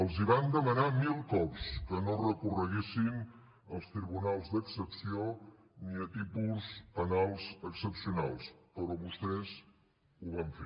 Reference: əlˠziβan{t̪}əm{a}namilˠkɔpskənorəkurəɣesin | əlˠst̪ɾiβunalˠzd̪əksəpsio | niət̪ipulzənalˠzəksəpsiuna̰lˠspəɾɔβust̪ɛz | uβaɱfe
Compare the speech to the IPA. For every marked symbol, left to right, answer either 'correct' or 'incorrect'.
incorrect, incorrect

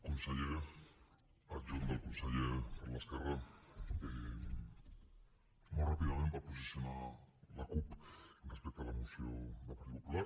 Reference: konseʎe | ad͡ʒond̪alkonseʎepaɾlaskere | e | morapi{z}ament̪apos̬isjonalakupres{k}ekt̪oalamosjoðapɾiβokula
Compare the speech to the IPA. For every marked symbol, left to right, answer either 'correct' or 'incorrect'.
incorrect, incorrect

